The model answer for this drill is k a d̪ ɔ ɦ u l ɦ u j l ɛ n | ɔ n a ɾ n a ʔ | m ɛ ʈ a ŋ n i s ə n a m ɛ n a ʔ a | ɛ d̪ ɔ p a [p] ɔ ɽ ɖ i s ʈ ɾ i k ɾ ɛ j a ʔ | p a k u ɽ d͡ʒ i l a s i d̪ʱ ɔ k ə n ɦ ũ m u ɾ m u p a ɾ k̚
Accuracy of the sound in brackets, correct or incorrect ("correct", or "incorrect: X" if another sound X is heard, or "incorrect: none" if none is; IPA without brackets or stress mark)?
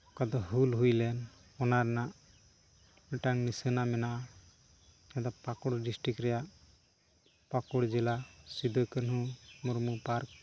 incorrect: k